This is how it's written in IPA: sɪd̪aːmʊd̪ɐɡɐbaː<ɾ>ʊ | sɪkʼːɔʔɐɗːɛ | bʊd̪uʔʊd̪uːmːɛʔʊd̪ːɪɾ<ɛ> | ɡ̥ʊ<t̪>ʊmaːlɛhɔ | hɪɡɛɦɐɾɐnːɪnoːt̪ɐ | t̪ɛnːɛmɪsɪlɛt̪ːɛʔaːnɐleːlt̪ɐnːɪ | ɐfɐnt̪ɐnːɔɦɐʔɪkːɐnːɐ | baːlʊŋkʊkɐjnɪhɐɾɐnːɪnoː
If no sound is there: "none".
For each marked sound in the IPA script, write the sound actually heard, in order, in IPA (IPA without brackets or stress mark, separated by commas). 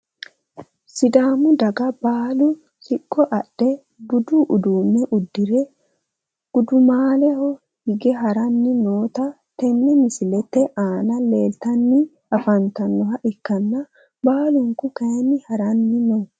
l, ɛ, d̪